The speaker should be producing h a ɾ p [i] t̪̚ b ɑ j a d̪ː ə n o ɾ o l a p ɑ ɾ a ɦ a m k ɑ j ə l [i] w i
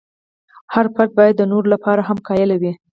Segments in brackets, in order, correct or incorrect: incorrect, incorrect

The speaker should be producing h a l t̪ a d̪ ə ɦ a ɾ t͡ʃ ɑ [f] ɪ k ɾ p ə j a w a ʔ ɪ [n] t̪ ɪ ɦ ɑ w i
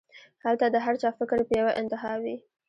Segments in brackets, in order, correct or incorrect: correct, correct

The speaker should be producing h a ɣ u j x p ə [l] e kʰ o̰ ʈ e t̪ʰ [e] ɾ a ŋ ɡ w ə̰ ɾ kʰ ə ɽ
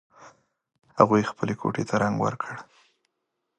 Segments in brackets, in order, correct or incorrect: correct, incorrect

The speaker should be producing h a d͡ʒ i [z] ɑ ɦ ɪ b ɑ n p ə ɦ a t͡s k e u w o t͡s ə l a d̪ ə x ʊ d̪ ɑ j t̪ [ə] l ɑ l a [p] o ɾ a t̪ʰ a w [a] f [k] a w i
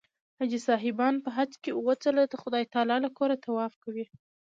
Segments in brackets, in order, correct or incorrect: incorrect, incorrect, incorrect, incorrect, correct

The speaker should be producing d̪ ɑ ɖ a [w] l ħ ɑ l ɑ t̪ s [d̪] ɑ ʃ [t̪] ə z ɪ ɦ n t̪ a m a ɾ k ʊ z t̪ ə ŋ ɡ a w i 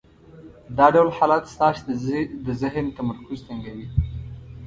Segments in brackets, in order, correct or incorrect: correct, incorrect, incorrect

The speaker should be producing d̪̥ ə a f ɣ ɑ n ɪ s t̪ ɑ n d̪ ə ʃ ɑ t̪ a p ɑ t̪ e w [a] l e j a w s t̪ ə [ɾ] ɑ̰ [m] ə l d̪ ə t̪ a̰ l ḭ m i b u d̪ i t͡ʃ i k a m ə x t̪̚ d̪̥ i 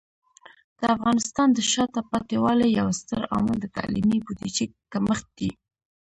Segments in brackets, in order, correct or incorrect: incorrect, correct, correct

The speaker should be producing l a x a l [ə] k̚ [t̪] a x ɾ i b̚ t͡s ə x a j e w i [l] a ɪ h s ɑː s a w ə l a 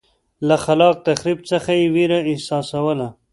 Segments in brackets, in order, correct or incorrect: incorrect, correct, incorrect

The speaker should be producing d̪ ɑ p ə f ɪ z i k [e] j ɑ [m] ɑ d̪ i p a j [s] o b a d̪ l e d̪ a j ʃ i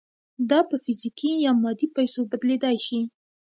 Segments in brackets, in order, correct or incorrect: incorrect, correct, correct

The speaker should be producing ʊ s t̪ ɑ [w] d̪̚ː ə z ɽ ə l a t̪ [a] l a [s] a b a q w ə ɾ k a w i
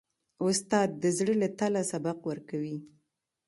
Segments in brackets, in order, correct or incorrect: incorrect, correct, correct

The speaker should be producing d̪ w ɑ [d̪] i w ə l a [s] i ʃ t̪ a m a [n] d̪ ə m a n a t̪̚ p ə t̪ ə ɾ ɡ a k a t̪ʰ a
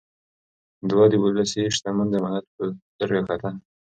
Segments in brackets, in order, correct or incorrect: correct, correct, correct

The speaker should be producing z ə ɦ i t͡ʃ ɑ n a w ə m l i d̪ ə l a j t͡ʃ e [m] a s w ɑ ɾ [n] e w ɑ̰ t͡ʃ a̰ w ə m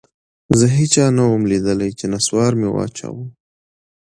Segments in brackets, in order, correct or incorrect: incorrect, incorrect

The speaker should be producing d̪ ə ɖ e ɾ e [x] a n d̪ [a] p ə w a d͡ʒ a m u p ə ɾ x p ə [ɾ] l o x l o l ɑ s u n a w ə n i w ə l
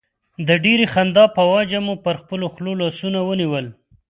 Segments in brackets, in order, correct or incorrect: correct, incorrect, incorrect

